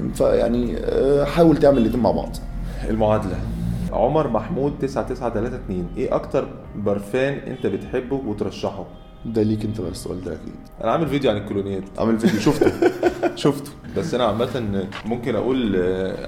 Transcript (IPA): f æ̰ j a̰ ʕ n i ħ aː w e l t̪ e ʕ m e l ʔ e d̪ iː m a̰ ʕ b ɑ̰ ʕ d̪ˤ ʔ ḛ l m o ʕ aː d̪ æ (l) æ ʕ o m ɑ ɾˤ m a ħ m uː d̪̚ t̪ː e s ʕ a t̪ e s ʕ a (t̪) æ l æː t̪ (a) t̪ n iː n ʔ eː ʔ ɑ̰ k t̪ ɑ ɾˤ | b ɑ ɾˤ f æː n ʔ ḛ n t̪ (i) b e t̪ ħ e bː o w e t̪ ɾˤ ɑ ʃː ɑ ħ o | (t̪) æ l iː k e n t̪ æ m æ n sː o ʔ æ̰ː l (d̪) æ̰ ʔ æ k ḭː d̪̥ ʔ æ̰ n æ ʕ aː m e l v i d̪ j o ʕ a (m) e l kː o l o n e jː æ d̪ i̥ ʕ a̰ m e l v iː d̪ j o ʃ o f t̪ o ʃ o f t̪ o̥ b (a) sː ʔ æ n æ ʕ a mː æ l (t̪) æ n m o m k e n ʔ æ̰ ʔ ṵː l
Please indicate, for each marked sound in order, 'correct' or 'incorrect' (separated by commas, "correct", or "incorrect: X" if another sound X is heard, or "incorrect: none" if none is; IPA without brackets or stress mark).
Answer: correct, correct, incorrect: æ, incorrect: æ, incorrect: d̪, correct, incorrect: n, incorrect: æ, correct